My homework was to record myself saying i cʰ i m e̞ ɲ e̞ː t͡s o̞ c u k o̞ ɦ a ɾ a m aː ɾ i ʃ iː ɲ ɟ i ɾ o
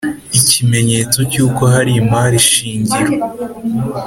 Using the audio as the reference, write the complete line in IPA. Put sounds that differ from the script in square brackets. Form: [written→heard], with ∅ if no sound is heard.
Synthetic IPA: i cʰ i m e̞ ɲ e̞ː t͡s o̞ c [u→uː] k o̞ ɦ a ɾ [a→i] m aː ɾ i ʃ iː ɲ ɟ i ɾ o

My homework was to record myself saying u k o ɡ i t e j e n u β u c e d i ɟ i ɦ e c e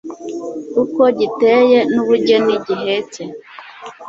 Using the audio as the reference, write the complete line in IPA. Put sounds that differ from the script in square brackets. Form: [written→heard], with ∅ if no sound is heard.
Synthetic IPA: u k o [ɡ→ɟ] i t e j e n u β u [c→ɟ] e [d→n] i ɟ i ɦ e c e

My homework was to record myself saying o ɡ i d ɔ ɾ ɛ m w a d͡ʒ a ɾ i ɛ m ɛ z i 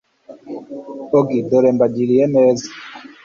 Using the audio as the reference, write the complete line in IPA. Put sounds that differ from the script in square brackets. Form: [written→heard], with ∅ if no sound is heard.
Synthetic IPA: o ɡ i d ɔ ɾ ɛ m [w→b] a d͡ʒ [a→i] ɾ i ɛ m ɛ z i

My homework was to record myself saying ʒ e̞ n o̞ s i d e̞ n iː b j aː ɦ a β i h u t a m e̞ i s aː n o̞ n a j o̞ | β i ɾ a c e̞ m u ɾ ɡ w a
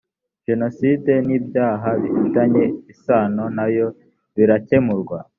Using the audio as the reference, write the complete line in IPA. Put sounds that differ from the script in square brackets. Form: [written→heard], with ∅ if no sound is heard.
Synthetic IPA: ʒ e̞ n o̞ s i d e̞ n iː b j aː ɦ a β i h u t a [m→ɲ] e̞ i s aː n o̞ n a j o̞ | β i ɾ a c e̞ m u ɾ ɡ w a

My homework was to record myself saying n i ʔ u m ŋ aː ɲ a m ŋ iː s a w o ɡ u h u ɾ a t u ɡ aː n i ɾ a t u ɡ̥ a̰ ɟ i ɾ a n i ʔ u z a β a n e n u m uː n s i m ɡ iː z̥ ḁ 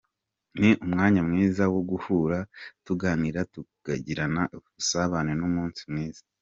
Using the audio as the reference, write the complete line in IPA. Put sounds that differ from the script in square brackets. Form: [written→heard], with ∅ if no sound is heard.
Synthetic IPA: n i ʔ u m ŋ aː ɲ a m ŋ iː [s→z] a w o ɡ u h u ɾ a t u ɡ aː n i ɾ a t u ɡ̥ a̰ ɟ i ɾ a n [i→a] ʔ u [z→s] a β a n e n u m uː n s i m [ɡ→ŋ] iː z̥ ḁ

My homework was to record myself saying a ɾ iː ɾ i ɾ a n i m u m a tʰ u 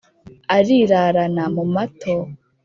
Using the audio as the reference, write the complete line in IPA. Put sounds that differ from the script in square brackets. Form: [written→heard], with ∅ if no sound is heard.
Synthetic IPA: a ɾ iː ɾ [i→a] ɾ a n [i→a] m u m a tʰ [u→o]

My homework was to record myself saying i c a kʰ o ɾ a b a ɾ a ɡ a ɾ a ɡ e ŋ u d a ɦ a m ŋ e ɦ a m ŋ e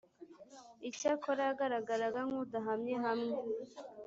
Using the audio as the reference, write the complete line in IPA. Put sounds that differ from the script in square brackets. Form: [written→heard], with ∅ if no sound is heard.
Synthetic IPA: i c a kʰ o ɾ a [b→ɡ] a ɾ a ɡ a ɾ a ɡ [e→a] ŋ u d a ɦ a m [ŋ→ɲ] e ɦ a m ŋ e

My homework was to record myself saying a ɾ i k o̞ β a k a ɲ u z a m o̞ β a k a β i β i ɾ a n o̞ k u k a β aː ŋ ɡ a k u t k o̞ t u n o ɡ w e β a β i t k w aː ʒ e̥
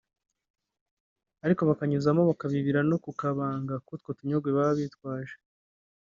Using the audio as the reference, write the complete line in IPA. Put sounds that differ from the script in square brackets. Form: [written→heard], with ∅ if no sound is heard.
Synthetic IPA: a ɾ i k o̞ β a k a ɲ u z a m o̞ β a k a β i β i ɾ a n o̞ k u k a β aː ŋ ɡ a k u t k o̞ t u [n→ɲ] o ɡ w e β a β i t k w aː ʒ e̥

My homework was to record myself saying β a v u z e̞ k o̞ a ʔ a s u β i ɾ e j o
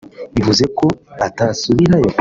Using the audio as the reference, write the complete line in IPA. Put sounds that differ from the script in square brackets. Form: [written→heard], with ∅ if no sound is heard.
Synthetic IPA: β [a→i] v u z e̞ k o̞ a [ʔ→t] a s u β i ɾ [e→a] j o

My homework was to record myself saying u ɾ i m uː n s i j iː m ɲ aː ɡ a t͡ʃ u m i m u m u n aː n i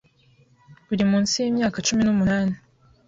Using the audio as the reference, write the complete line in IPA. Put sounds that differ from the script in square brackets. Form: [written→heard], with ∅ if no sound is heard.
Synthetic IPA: u ɾ i m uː n s i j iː m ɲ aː [ɡ→k] a t͡ʃ u m i [m→n] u m u n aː n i

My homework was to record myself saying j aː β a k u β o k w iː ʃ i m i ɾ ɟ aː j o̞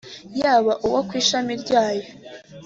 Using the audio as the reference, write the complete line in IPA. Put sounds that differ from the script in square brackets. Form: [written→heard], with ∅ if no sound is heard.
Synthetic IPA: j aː β a [k→ʔ] u [β→w] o k w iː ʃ [i→a] m i ɾ ɟ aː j o̞

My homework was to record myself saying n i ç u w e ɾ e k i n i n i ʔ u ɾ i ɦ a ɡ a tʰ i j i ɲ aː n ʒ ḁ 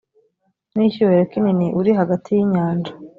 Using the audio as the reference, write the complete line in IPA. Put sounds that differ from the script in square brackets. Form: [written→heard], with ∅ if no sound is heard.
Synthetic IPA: n i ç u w e ɾ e k i n i n i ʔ u ɾ i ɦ a ɡ a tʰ i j i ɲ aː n [ʒ→d͡ʒ] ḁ

